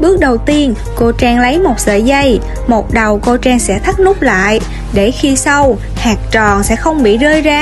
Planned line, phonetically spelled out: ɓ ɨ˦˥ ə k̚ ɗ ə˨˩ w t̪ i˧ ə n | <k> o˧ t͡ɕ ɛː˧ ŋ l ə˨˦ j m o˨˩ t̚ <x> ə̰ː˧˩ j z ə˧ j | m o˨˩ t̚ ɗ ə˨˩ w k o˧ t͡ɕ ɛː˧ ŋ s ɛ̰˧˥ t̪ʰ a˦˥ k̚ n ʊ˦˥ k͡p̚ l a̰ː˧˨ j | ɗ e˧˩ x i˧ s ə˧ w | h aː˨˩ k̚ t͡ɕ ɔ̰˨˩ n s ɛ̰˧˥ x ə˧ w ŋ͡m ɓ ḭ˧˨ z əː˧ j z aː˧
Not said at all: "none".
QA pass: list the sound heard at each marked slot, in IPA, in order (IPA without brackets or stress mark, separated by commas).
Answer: k, s